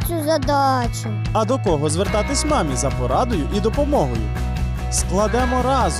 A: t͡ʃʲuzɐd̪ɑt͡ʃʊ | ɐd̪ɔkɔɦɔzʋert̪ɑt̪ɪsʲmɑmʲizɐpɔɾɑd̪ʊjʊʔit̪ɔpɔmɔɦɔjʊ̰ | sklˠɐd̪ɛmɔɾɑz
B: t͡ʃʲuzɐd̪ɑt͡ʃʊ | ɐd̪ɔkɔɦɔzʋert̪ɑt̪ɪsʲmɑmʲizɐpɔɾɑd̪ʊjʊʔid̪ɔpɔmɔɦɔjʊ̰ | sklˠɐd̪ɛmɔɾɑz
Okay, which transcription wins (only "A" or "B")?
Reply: B